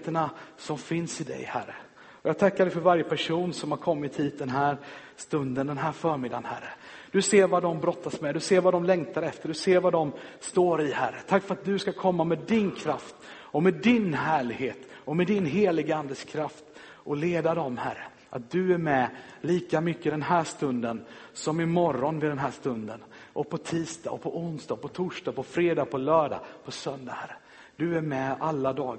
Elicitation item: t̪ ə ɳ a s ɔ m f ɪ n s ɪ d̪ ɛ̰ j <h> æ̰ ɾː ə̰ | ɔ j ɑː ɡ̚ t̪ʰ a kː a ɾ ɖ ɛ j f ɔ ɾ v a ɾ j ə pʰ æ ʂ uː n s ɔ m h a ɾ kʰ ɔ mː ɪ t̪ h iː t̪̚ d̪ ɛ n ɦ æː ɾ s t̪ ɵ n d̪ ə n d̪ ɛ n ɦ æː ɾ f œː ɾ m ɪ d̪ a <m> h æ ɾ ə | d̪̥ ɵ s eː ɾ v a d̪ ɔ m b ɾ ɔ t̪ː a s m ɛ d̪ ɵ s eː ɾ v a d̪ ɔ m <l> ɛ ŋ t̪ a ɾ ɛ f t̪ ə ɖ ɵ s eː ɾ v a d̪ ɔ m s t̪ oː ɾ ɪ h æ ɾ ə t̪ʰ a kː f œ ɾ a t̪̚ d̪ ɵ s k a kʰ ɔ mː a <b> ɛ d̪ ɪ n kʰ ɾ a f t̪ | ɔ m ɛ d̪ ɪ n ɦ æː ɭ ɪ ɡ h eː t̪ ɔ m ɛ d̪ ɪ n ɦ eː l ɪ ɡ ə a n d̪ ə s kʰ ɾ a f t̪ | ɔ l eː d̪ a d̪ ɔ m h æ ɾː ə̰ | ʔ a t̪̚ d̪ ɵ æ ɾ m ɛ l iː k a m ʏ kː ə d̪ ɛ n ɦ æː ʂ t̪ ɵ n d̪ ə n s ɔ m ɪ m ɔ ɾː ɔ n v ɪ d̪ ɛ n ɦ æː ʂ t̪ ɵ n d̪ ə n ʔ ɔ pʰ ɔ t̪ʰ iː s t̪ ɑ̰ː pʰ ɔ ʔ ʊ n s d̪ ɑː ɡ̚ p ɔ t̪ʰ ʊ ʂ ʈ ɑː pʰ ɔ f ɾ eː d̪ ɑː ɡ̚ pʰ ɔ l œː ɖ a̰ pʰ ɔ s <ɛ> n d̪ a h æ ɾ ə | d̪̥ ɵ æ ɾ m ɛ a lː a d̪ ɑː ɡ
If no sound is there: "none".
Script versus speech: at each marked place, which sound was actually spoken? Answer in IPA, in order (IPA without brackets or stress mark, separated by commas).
h, n, l, m, œ